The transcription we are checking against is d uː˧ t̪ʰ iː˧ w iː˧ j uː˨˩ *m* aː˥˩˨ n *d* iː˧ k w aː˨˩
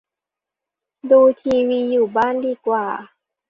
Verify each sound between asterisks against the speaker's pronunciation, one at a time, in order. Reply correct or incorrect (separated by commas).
incorrect, correct